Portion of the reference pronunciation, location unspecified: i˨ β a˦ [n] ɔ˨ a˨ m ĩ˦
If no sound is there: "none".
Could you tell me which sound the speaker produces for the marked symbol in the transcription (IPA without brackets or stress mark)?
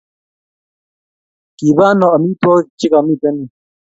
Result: n